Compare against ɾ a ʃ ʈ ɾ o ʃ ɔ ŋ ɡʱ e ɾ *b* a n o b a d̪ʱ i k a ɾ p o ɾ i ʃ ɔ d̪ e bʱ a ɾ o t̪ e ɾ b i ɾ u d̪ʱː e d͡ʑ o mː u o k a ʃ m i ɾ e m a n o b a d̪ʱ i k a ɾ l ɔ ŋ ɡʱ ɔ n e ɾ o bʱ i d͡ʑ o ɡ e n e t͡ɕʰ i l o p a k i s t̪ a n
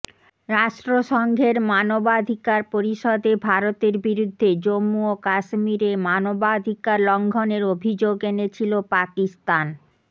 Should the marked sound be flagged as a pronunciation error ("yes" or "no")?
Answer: yes